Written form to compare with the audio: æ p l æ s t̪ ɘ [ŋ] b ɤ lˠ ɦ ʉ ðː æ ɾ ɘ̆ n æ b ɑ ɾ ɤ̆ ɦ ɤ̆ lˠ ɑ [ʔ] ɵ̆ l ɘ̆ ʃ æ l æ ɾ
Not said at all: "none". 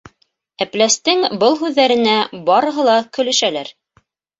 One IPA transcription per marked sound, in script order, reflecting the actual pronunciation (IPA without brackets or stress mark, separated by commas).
ŋ, k